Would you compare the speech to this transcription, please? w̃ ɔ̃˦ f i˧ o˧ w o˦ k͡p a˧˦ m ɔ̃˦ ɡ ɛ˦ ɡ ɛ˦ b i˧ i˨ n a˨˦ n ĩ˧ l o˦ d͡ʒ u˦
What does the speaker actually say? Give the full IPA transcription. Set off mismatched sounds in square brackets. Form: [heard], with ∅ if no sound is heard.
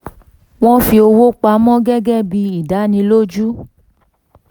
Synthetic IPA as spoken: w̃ ɔ̃˦ f i˧ o˧ w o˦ k͡p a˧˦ m ɔ̃˦ ɡ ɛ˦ ɡ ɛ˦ b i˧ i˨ [d] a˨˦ n ĩ˧ l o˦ d͡ʒ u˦